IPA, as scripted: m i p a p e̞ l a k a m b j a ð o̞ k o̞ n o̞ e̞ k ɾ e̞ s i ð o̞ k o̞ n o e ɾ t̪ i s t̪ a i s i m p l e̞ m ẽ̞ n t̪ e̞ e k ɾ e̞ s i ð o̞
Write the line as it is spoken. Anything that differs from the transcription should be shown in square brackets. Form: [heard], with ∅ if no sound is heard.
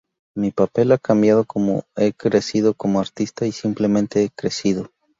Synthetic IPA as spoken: m i p a p e̞ l a k a m b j a ð o̞ k o̞ [m] o̞ e̞ k ɾ e̞ s i ð o̞ k o̞ [m] o [a] ɾ t̪ i s t̪ a i s i m p l e̞ m ẽ̞ n t̪ e̞ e k ɾ e̞ s i ð o̞

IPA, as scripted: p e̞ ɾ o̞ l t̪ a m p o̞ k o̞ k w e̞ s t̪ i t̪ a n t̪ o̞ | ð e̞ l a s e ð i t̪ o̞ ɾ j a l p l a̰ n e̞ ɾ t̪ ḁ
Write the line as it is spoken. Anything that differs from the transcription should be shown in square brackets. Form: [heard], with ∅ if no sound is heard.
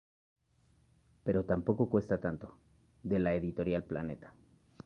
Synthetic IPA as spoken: p e̞ ɾ o̞ [∅] t̪ a m p o̞ k o̞ k w e̞ s t̪ [a] t̪ a n t̪ o̞ | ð e̞ l a [∅] e ð i t̪ o̞ ɾ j a l p l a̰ n e̞ [∅] t̪ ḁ

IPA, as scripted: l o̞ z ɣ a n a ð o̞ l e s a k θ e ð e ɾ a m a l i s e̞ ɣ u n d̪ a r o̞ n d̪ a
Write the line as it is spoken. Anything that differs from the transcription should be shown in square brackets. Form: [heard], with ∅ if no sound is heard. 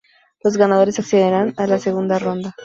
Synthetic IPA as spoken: l o̞ z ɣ a n a ð o̞ [ɾ] e s a k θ e ð e ɾ a [n] a l [a] s e̞ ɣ u n d̪ a r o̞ n d̪ a

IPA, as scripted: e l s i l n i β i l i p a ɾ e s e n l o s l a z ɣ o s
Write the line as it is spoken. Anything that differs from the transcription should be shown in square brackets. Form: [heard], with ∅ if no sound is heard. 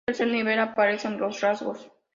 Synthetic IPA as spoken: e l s [e] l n i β [e] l [a] p a ɾ e s e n l o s [r] a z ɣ o s

